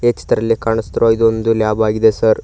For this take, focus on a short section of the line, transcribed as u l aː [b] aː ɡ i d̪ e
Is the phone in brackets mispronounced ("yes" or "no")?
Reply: no